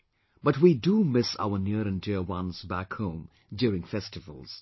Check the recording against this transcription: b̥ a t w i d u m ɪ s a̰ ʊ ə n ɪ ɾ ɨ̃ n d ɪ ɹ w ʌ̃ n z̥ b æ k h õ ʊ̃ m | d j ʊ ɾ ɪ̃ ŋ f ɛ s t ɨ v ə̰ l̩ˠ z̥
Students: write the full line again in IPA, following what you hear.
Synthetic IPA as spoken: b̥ ʌ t w i d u m ɪ s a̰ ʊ ə n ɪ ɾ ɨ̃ n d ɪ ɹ w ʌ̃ n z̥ b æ k h õ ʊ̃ m | d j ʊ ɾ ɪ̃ ŋ f ɛ s t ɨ v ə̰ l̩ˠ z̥